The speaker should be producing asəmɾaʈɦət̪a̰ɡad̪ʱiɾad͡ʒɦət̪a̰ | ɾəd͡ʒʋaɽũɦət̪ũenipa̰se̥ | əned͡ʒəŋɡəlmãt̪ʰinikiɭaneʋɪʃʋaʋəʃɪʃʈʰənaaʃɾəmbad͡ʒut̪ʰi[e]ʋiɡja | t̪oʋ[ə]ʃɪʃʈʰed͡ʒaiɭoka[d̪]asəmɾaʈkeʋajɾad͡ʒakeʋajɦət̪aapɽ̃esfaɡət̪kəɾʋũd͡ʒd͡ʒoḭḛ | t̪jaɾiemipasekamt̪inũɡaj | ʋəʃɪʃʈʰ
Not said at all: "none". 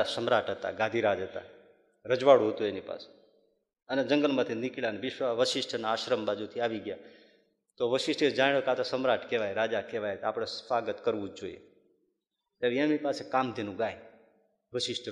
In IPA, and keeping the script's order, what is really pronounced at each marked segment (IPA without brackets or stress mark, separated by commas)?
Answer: a, ə, t̪